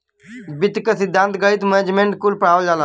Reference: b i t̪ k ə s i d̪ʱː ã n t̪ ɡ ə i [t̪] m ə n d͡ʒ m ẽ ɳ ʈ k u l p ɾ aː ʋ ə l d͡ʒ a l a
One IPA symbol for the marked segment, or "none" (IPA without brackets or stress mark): t̪